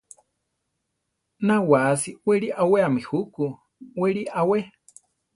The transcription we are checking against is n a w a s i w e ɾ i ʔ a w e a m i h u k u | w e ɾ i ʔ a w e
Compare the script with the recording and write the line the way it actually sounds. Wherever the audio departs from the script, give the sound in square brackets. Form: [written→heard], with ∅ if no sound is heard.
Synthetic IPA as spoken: n a w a s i w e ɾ i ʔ a w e a m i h u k u | w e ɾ i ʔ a w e